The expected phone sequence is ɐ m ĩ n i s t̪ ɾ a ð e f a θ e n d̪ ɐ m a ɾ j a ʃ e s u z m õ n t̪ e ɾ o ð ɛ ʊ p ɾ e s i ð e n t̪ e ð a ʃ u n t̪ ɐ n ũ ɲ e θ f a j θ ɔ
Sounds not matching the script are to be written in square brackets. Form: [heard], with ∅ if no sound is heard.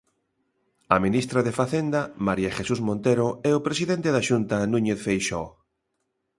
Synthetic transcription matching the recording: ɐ m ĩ n i s t̪ ɾ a ð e f a θ e n d̪ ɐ m a ɾ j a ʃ e s u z m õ n t̪ e ɾ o [∅] ɛ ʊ p ɾ e s i ð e n t̪ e ð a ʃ u n t̪ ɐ n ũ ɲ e θ f [e] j [ʃ] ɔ